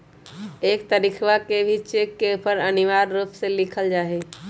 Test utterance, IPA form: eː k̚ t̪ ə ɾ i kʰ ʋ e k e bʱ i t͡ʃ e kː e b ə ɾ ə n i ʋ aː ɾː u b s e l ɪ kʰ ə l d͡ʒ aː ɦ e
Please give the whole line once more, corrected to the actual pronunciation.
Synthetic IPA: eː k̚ t̪ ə ɾ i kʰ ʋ a k e bʱ i t͡ʃ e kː e p ə ɾ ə n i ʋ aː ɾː u p s e l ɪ kʰ ə l d͡ʒ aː ɦ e